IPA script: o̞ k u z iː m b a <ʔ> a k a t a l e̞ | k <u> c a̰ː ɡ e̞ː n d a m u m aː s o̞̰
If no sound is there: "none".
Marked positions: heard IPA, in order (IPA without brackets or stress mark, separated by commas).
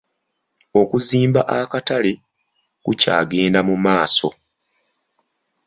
ʔ, u